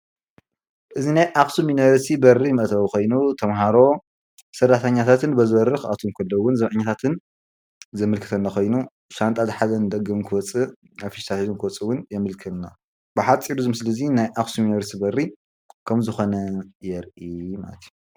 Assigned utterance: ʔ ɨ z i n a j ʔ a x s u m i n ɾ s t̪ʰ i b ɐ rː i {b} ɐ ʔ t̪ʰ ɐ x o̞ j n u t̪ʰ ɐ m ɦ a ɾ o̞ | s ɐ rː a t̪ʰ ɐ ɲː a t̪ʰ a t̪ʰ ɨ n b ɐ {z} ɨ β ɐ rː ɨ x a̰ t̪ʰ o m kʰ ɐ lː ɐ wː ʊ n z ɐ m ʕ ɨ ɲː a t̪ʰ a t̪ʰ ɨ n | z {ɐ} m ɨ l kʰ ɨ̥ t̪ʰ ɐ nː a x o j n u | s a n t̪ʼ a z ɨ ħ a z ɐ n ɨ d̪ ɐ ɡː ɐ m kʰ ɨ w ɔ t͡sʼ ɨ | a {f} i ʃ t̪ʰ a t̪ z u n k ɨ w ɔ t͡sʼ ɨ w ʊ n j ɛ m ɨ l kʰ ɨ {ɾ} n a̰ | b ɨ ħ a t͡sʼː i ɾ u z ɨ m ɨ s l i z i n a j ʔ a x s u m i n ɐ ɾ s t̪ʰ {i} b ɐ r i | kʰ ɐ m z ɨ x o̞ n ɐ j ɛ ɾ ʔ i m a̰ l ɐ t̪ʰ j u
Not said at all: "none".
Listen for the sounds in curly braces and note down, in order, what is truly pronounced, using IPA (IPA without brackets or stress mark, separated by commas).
m, z, ɐ, f, l, i